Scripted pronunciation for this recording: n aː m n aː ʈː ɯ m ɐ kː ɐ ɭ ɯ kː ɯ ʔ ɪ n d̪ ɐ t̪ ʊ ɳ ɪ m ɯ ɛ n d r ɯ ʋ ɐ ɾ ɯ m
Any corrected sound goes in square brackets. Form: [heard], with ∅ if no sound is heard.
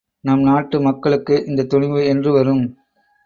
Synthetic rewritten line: n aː m n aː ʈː ɯ m ɐ kː ɐ ɭ ɯ kː ɯ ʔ ɪ n d̪ ɐ t̪ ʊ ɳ ɪ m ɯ ɛ n d r ɯ ʋ ɐ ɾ ɯ m